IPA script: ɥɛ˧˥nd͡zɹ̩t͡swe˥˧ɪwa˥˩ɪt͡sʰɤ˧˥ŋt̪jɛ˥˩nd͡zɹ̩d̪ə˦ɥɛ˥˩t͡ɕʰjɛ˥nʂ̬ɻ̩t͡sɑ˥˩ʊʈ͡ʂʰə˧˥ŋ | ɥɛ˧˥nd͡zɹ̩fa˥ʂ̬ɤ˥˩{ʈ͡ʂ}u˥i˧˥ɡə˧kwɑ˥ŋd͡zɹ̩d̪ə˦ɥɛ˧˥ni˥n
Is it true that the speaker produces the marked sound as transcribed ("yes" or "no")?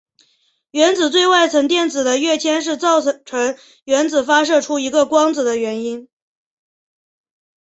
no